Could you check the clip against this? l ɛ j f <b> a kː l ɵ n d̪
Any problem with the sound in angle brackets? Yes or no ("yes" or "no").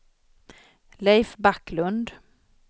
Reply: no